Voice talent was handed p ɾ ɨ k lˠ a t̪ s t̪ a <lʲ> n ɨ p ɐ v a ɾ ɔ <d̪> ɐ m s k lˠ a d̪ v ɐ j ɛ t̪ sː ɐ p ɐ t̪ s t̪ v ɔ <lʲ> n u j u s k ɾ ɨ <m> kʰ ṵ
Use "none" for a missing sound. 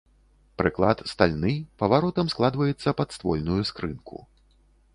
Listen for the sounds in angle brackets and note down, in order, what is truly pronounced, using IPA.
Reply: lʲ, t̪, lʲ, n

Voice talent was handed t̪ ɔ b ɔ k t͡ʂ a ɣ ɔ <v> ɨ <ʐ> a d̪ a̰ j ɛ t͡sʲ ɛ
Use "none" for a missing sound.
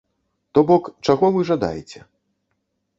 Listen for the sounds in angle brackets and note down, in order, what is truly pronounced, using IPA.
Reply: v, ʐ

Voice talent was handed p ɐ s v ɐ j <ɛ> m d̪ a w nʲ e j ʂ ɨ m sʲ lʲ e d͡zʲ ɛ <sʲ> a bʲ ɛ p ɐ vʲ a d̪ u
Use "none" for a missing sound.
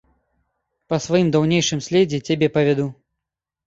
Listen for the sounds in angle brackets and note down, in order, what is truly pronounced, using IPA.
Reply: i, t͡sʲ

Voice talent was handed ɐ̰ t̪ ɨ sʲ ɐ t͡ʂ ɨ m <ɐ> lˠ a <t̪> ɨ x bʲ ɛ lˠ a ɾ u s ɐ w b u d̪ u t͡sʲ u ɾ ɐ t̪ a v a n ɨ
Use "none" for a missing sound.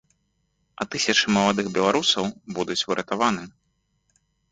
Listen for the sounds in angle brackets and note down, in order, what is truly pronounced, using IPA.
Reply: ɐ, d̪

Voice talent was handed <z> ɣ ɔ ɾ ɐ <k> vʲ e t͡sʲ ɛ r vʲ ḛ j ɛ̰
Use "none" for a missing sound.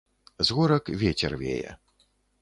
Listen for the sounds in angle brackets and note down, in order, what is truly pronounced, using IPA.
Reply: z, k

